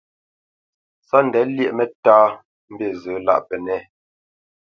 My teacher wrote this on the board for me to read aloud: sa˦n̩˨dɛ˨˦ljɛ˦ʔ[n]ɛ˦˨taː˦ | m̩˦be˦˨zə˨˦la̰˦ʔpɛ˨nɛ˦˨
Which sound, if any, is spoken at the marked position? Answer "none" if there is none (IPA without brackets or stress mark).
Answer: m